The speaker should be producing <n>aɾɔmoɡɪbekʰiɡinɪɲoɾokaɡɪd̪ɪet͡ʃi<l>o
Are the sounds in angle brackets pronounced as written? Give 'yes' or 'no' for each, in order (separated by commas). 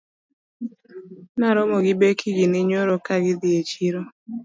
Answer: yes, no